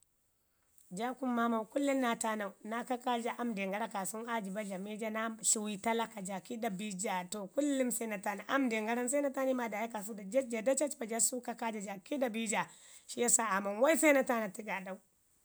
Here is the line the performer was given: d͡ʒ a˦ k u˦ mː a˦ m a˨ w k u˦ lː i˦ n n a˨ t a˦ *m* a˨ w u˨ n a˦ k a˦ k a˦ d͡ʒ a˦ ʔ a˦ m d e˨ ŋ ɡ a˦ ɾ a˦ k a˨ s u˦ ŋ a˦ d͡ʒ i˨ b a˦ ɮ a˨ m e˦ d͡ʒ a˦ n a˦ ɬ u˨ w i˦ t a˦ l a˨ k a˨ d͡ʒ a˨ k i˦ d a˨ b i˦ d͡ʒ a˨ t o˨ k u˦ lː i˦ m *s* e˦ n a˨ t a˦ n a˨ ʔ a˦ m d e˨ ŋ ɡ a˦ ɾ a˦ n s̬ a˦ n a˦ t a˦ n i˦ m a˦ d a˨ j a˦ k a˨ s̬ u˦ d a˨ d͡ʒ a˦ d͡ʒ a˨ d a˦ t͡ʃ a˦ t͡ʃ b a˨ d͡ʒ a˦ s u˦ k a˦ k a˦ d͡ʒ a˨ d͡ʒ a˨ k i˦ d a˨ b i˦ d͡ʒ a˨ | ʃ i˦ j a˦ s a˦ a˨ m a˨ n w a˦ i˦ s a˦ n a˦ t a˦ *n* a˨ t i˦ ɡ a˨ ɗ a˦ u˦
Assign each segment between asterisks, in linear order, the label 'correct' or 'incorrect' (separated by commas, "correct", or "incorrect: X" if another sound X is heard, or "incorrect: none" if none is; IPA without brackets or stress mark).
incorrect: n, correct, correct